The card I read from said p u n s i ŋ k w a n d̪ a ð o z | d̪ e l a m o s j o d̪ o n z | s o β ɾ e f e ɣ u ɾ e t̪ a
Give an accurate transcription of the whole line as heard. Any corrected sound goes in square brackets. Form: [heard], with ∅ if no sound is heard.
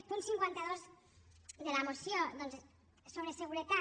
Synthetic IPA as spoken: p u n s i ŋ k w a n [t̪] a ð o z | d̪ e l a m o s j o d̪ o n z | s o β ɾ e [s] e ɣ u ɾ e t̪ a